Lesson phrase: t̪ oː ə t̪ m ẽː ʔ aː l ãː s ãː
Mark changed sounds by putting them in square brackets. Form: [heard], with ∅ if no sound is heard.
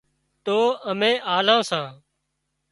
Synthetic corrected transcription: t̪ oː ə [∅] m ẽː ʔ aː l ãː s ãː